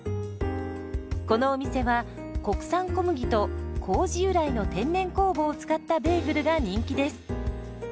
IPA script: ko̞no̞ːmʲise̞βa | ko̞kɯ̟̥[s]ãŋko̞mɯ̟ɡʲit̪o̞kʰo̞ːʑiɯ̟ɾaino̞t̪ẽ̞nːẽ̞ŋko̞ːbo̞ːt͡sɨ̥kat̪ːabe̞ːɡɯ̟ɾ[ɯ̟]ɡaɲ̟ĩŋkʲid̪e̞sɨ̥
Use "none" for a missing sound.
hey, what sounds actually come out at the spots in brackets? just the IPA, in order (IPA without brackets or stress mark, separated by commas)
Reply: s, ɯ̟